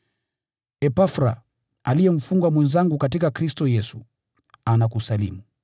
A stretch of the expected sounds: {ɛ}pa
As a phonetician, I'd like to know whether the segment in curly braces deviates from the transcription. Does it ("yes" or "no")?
no